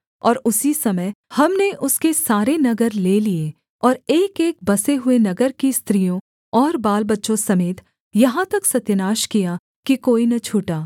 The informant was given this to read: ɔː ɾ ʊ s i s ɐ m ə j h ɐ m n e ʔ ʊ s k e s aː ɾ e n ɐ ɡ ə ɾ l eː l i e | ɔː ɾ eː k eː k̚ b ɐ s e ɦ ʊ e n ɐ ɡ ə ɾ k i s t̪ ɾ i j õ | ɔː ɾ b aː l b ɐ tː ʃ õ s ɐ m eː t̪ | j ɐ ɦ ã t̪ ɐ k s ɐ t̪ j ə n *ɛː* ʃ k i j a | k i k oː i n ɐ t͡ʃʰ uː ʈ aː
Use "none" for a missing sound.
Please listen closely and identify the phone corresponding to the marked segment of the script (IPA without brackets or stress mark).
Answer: aː